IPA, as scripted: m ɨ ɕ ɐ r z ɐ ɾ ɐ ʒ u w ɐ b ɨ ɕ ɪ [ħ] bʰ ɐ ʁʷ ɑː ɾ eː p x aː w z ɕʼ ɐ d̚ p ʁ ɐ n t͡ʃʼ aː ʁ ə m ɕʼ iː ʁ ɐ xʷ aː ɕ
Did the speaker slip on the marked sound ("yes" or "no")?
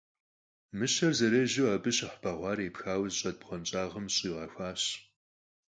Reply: no